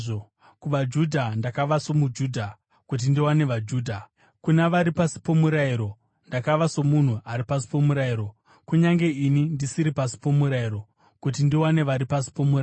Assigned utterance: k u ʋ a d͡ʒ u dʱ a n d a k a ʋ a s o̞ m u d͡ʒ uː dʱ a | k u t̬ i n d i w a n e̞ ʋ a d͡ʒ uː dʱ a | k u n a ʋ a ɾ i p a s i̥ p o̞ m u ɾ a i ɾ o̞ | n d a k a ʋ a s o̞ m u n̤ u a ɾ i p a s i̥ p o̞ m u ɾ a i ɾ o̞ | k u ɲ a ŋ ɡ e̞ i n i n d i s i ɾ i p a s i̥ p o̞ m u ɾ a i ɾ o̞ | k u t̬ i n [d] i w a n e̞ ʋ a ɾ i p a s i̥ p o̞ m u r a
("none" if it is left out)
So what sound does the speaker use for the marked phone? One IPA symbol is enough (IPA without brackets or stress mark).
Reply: d